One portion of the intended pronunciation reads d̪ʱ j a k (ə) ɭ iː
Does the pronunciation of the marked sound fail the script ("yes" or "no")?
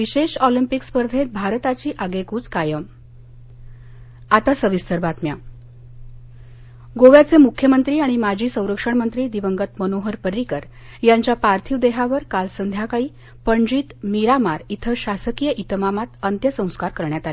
yes